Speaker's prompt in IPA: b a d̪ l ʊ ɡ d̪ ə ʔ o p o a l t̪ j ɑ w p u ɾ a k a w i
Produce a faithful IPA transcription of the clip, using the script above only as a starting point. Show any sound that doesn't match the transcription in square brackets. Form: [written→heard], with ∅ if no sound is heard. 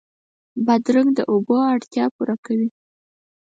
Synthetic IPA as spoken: b a d̪ [l→ɾ] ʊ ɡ d̪ ə ʔ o [p→b] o a [l→ɽ] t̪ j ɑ [w→∅] p u ɾ a k a w i